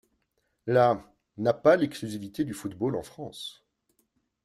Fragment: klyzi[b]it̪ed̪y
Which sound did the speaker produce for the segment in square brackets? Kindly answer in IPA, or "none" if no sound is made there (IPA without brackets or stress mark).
v